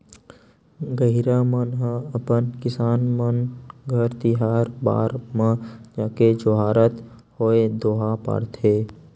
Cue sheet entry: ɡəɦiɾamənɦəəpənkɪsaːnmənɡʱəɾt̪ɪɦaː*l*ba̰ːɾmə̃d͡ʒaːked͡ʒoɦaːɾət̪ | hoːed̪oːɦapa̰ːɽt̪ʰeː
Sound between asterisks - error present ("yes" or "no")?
yes